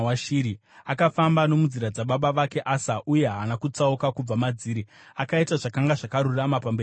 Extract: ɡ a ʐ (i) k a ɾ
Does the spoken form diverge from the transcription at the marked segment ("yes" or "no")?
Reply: yes